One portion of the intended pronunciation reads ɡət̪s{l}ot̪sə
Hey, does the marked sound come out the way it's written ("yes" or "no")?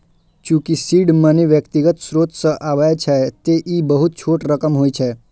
no